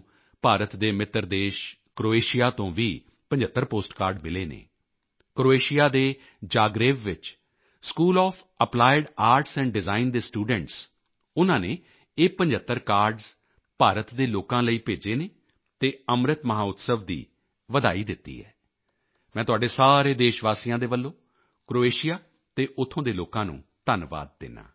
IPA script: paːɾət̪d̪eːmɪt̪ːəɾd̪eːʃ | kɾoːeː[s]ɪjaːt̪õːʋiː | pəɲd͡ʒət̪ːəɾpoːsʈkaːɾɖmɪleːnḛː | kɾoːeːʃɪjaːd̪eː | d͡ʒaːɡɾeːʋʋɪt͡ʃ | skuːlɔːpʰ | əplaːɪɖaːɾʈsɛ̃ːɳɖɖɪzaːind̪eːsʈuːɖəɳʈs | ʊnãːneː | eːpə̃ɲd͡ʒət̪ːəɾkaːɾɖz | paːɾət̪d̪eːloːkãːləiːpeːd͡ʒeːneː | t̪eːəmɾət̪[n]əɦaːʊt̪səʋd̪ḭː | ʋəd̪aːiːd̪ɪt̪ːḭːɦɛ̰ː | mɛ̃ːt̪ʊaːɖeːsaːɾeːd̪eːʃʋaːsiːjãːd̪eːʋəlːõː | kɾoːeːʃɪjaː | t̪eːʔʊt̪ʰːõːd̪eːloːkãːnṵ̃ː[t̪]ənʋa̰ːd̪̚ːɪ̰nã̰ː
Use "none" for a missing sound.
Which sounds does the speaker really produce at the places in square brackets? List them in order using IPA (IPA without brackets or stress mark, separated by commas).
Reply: ʃ, m, t̪